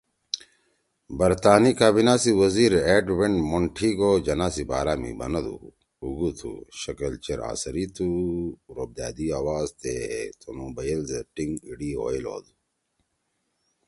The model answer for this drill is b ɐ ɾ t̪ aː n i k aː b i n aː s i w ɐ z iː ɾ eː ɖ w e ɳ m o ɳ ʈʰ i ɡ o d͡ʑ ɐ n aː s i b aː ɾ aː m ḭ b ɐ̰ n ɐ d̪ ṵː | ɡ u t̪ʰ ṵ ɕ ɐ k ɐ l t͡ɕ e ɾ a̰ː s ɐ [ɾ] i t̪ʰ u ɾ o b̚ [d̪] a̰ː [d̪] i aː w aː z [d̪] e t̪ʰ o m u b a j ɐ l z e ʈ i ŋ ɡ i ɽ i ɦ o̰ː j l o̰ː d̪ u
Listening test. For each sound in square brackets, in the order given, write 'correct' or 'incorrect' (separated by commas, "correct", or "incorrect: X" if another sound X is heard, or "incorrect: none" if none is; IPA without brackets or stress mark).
correct, correct, correct, incorrect: t̪